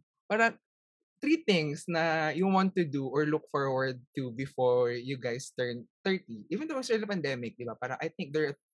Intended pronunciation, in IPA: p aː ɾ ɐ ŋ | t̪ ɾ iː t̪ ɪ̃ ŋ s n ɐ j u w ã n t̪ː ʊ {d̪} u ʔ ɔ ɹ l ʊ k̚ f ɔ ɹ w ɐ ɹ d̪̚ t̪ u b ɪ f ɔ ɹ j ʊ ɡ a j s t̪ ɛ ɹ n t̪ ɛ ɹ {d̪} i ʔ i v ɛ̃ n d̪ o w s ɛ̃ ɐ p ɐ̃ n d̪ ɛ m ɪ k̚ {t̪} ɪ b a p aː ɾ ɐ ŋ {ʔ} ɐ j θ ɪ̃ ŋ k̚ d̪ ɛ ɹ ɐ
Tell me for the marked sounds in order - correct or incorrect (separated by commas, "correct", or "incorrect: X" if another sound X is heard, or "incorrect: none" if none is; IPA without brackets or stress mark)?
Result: correct, incorrect: t̪, incorrect: d̪, correct